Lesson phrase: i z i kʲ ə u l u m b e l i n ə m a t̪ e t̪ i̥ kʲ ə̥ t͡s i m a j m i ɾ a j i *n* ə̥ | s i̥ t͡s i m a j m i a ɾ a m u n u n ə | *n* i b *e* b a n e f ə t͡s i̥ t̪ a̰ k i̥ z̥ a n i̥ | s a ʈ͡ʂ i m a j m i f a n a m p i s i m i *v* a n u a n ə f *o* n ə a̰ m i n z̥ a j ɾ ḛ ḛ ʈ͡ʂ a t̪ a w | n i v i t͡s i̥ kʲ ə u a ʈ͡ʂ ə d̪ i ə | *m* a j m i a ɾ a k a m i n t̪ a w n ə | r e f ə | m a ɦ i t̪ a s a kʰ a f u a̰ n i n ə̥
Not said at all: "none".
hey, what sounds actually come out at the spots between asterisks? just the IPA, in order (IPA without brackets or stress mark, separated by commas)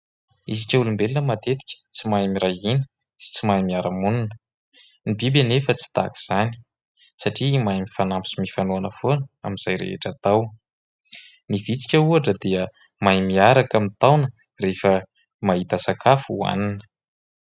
n, n, i, f, o, m